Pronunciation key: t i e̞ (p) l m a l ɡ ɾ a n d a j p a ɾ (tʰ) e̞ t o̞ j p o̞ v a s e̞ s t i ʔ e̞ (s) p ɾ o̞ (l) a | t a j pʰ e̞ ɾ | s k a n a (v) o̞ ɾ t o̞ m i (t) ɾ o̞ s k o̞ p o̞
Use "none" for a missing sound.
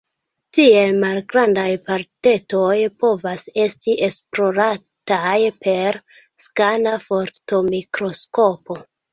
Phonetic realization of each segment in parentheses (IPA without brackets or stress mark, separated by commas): none, t, s, ɾ, f, k